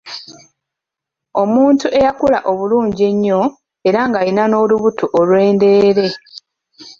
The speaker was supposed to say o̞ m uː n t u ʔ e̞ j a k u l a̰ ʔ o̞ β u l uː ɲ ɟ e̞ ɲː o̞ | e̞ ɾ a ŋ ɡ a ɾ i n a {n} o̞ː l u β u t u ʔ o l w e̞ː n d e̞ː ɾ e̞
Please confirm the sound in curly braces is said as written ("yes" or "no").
yes